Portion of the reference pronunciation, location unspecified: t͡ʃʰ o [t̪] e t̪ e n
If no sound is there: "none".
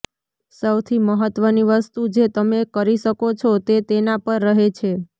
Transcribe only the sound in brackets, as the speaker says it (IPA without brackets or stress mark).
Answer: t̪